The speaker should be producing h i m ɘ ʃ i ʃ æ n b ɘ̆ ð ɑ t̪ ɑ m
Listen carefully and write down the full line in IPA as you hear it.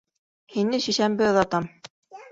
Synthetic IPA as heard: h i n ɘ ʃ i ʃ æ m b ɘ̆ ð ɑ t̪ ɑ m